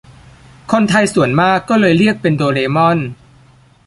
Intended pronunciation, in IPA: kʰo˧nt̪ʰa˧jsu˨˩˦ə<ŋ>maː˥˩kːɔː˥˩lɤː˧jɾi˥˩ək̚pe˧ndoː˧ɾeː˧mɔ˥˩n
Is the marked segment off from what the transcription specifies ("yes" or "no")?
yes